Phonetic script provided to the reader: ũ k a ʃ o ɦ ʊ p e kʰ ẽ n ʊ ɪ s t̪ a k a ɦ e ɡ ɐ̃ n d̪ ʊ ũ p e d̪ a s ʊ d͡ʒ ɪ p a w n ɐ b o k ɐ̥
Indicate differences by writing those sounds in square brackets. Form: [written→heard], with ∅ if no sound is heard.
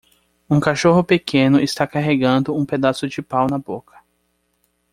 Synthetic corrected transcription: ũ k a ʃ o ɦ ʊ p e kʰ ẽ n ʊ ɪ s t̪ a k a ɦ e ɡ ɐ̃ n d̪ ʊ ũ p e d̪ a s ʊ d͡ʒ ɪ p a w n ɐ b o k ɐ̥